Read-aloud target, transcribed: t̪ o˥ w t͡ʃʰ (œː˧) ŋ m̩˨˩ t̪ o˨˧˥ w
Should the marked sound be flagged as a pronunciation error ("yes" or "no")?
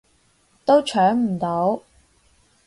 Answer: yes